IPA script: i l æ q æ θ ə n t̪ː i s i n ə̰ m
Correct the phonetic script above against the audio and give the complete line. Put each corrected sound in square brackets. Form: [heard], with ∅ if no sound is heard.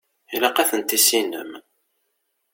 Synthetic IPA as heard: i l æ q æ θ ə n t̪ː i s i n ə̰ m